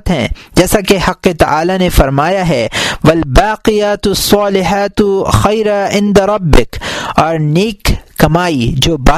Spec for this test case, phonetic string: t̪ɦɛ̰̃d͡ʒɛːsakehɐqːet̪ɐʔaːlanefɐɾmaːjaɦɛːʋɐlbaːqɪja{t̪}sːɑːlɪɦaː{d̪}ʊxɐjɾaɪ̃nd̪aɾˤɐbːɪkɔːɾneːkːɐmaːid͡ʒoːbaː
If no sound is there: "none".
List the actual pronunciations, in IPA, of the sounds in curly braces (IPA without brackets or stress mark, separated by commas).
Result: t̪, t̪